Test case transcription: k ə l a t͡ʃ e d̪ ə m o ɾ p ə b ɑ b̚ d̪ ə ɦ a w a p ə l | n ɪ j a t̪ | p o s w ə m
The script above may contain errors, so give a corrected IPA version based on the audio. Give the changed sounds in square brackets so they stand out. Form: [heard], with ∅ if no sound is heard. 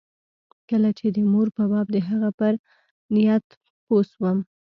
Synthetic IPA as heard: k ə l a t͡ʃ e d̪ ə m o ɾ p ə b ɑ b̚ d̪ ə ɦ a [ɣ] a p ə [ɾ] | n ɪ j a t̪ | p o s w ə m